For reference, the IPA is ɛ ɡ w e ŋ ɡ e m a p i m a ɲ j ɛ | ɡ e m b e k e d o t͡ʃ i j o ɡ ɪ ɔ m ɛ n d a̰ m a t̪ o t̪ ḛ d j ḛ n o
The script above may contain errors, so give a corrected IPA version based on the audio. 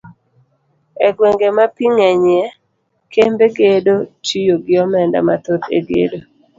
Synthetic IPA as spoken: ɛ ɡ w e ŋ ɡ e m a p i ŋ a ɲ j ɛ | k e m b e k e d o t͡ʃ i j o ɡ ɪ ɔ m ɛ n d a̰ m a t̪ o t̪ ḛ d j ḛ d o